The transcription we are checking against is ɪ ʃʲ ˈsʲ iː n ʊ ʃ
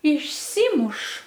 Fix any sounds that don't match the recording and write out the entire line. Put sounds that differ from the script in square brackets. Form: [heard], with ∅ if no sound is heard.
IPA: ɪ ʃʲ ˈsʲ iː [m] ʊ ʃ